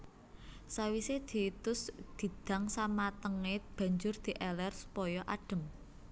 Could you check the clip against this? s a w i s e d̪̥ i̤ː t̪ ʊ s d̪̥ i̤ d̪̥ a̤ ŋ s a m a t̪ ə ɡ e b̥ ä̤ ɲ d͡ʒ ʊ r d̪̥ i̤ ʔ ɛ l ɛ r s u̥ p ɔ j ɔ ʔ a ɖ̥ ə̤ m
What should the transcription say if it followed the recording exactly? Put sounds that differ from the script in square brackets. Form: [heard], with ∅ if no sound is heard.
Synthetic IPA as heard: s a w i s e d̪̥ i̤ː t̪ ʊ s d̪̥ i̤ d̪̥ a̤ ŋ s a m a t̪ ə [ŋ] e b̥ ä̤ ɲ d͡ʒ ʊ r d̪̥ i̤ ʔ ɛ l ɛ r s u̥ p ɔ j ɔ ʔ a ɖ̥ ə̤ m